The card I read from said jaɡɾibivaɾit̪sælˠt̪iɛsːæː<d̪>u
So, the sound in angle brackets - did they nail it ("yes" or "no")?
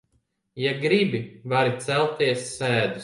yes